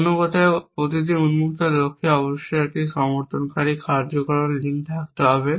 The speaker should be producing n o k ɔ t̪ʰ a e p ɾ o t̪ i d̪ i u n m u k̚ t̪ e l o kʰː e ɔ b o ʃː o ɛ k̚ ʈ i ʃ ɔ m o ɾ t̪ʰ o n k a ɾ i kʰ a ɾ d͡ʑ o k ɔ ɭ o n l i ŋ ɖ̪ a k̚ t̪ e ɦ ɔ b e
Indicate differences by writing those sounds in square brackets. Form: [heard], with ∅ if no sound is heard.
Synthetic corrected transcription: n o k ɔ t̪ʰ a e p ɾ o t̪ i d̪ i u n m u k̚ t̪ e l o kʰː e ɔ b o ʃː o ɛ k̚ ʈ i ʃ ɔ m o ɾ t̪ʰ o n k a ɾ i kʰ a ɾ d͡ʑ o k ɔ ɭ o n l i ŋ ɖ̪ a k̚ t̪ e ɦ ɔ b e